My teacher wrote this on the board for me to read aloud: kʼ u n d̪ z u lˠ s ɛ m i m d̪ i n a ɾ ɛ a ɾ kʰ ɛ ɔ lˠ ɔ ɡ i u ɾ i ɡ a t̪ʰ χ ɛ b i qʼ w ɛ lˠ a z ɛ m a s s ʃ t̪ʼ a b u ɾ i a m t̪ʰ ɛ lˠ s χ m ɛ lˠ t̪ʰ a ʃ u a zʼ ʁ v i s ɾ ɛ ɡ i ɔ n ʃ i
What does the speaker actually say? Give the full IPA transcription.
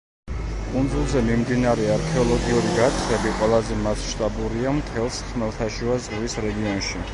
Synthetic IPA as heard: kʼ u n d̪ z u lˠ z ɛ m i m d̪ i n a ɾ ɛ a ɾ kʰ ɛ ɔ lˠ ɔ ɡ i u ɾ i ɡ a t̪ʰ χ ɛ b i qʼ w ɛ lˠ a z ɛ m a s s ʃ t̪ʼ a b u ɾ i a m t̪ʰ ɛ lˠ s χ m ɛ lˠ t̪ʰ a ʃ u a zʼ ʁ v i s ɾ ɛ ɡ i ɔ n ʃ i